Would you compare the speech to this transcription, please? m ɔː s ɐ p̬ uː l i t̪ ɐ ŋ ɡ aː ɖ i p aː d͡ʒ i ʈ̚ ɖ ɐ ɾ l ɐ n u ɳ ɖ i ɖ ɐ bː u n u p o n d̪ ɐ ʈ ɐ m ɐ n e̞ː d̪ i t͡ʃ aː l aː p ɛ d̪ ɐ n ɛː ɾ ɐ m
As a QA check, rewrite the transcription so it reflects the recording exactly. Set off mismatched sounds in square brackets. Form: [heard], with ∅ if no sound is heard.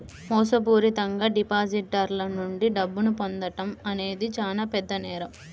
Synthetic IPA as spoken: m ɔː s ɐ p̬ uː [ɾ] i t̪ ɐ ŋ ɡ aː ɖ i p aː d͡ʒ i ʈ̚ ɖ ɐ ɾ l ɐ n u ɳ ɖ i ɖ ɐ bː u n u p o n d̪ ɐ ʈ ɐ m ɐ n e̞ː d̪ i t͡ʃ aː l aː p ɛ [d̪ː] ɐ n ɛː ɾ ɐ m